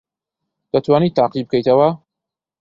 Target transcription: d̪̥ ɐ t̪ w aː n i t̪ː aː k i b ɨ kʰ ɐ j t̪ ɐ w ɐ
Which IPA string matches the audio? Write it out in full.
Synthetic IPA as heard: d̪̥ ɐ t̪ w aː n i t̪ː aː q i b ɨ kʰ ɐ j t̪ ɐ w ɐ